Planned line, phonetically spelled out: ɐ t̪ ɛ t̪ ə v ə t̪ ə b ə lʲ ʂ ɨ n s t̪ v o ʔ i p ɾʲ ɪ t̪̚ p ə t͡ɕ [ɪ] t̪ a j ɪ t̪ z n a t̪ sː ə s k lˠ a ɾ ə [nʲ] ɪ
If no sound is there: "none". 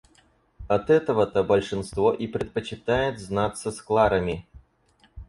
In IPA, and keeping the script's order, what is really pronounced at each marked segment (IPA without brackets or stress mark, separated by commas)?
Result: ɪ, mʲ